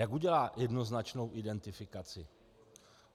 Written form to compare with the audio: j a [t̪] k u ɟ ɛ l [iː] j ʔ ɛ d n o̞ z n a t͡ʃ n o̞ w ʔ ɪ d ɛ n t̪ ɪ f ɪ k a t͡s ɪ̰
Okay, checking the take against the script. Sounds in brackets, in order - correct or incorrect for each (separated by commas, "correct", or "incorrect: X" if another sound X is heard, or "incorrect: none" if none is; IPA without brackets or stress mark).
incorrect: none, incorrect: aː